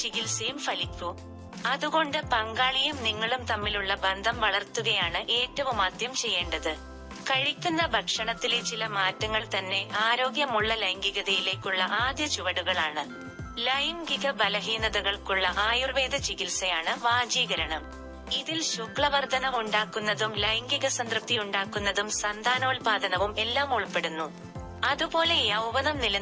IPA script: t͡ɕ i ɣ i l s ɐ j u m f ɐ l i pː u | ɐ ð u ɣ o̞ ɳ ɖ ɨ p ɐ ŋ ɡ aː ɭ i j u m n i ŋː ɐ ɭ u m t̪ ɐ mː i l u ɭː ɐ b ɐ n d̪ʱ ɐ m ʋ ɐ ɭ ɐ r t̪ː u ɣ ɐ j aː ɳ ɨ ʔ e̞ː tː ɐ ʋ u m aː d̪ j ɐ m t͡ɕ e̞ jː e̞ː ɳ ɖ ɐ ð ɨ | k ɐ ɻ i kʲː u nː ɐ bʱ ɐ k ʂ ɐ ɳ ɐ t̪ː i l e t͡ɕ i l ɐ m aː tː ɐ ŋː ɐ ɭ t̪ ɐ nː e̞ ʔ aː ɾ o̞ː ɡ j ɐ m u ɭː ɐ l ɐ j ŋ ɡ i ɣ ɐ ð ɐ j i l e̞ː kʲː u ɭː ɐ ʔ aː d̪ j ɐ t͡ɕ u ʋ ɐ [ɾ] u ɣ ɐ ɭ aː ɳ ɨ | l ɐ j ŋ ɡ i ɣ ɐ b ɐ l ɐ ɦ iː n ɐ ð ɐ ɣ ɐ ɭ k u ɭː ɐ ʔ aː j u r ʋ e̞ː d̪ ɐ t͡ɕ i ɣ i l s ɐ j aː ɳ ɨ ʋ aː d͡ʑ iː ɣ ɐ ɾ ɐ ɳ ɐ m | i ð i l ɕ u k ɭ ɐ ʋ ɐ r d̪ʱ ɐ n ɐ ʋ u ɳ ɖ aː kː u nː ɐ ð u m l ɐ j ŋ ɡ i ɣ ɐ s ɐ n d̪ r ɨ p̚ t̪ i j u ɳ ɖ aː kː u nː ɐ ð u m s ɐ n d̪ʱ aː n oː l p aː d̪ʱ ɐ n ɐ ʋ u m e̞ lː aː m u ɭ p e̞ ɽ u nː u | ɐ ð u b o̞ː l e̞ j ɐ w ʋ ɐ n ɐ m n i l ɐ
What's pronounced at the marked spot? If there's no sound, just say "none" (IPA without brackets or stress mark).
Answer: ɽ